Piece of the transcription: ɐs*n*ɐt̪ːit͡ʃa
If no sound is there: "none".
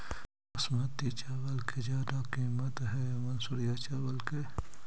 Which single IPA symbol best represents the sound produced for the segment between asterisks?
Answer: m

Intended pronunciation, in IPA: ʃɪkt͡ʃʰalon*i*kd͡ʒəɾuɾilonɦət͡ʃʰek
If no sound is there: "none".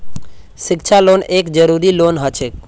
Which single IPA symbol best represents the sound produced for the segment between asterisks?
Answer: e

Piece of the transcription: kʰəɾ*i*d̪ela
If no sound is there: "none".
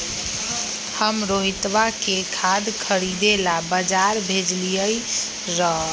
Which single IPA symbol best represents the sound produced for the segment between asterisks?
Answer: i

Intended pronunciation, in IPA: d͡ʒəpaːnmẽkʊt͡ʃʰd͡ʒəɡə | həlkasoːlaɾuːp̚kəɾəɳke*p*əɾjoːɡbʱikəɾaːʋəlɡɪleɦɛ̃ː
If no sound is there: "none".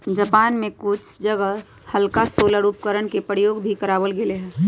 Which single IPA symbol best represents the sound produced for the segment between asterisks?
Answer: p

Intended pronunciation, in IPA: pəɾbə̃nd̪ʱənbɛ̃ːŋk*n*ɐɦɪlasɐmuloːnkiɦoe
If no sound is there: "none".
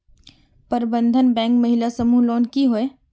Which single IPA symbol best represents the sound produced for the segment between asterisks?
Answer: m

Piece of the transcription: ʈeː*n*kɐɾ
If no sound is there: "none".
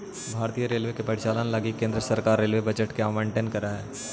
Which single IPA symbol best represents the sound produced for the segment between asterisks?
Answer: n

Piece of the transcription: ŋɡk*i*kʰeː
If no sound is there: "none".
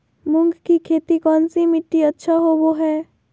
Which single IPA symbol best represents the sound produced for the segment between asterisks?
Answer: i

